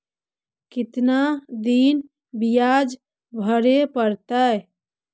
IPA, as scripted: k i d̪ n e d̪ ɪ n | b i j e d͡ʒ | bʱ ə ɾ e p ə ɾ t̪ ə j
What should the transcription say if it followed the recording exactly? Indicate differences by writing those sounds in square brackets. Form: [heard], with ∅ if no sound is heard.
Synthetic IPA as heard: k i [t̪] n [a] d̪ [i] n | b i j [a] d͡ʒ | bʱ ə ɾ e p ə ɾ t̪ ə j